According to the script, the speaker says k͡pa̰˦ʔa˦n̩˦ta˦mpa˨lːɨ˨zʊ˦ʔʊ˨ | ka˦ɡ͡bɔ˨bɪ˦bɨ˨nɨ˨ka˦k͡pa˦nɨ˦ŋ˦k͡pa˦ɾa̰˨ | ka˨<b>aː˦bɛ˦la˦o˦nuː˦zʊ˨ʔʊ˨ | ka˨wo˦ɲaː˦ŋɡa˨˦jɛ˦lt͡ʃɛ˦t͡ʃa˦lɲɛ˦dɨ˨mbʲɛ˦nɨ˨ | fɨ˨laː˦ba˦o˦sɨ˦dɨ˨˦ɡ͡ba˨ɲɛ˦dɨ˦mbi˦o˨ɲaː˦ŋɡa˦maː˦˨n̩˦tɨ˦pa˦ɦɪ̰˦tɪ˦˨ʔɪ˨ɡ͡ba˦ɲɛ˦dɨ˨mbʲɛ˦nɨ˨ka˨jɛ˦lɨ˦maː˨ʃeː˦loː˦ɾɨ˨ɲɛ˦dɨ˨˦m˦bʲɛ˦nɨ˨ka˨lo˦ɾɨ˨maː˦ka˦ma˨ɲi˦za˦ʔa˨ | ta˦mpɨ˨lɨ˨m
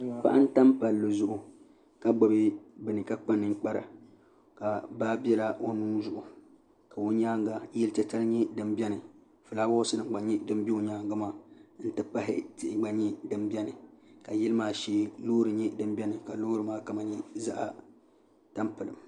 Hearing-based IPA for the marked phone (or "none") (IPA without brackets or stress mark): b